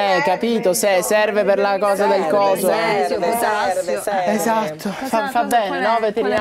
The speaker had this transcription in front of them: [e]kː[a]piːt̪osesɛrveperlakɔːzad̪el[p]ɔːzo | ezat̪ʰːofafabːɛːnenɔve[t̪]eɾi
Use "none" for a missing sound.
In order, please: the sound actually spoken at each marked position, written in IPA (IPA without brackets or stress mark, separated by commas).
ɛ, a, k, t̪